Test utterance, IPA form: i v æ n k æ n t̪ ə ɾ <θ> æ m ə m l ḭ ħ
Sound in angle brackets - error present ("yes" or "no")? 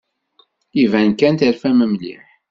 yes